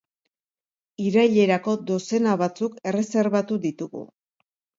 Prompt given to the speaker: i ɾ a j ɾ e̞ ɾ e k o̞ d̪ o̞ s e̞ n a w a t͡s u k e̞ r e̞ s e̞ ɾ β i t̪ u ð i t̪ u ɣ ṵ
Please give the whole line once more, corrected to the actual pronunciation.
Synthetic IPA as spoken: i ɾ a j ʎ e̞ ɾ a k o̞ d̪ o̞ s e̞ n a β a t͡s u k e̞ r e̞ s e̞ ɾ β a t̪ u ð i t̪ u ɣ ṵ